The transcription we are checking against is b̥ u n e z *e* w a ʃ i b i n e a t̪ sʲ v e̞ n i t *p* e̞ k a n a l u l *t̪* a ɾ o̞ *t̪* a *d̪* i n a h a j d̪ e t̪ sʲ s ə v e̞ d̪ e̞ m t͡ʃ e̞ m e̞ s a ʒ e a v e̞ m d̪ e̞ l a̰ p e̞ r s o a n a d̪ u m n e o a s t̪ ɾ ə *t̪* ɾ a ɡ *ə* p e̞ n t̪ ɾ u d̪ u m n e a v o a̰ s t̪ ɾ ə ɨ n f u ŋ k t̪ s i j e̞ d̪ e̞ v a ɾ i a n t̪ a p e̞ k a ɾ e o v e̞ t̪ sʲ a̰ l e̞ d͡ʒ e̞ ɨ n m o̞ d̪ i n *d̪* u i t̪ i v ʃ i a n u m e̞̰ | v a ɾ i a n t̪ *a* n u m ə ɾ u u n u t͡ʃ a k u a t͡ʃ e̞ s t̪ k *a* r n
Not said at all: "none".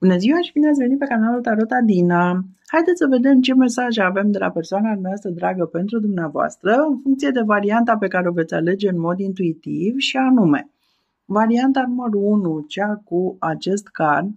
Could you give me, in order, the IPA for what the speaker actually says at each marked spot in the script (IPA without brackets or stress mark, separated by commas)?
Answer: i, p, t̪, t̪, d̪, d̪, ə, t̪, a, a